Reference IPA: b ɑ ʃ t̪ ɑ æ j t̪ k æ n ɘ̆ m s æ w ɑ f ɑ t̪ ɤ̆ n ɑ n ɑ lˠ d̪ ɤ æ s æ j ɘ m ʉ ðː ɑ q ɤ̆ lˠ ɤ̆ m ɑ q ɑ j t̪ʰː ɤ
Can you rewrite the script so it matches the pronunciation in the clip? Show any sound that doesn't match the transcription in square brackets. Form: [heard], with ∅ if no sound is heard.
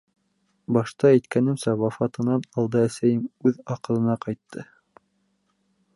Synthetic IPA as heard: b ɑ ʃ t̪ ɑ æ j t̪ k æ n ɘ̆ m s æ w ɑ f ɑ t̪ ɤ̆ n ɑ n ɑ lˠ d̪ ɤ æ s æ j ɘ m ʉ [ð] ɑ q ɤ̆ lˠ ɤ̆ [n] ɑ q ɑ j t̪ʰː ɤ